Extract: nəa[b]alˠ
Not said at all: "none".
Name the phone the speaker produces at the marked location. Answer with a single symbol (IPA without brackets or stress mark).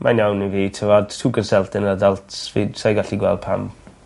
d